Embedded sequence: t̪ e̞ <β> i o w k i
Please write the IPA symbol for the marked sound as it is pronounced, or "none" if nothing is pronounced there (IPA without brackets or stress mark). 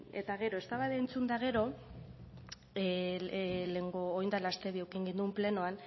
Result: β